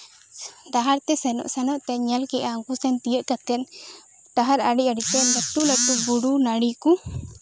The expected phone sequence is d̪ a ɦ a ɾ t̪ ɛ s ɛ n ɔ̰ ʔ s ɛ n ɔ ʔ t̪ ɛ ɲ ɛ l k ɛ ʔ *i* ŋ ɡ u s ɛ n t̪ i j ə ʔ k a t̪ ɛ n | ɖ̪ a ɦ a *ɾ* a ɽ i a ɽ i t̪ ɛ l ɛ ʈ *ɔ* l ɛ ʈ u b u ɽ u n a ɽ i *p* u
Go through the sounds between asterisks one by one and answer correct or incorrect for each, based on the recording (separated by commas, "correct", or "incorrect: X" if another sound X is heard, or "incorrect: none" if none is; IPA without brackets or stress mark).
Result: incorrect: a, correct, incorrect: u, incorrect: k